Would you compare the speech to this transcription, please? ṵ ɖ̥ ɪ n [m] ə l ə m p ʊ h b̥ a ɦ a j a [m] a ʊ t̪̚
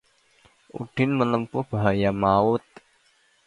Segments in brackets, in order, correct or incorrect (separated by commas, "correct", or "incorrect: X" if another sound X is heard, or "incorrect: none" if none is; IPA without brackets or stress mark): correct, correct